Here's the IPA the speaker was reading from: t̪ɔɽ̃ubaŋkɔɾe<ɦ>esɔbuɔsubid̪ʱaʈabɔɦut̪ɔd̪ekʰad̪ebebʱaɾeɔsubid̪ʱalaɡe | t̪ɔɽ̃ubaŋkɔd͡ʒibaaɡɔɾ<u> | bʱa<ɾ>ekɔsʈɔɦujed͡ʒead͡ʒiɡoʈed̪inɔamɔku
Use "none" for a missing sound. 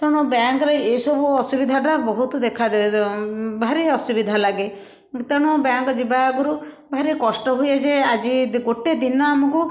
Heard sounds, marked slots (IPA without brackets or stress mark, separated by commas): none, u, ɾ